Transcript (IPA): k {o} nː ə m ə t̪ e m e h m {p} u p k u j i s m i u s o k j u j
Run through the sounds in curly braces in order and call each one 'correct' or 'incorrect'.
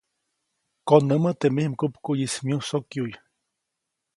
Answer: correct, incorrect

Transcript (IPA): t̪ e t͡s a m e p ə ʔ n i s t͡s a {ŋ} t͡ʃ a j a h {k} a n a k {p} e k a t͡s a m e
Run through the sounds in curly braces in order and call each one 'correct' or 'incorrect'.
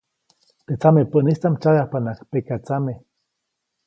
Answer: incorrect, incorrect, correct

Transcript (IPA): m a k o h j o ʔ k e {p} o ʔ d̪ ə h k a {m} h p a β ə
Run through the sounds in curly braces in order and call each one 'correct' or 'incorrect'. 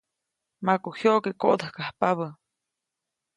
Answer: incorrect, incorrect

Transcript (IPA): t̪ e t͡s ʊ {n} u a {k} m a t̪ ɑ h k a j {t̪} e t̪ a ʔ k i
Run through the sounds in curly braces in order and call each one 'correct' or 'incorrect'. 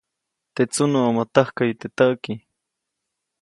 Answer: correct, incorrect, correct

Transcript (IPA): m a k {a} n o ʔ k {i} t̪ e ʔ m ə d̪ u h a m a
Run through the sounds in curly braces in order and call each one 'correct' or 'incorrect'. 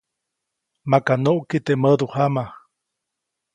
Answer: correct, correct

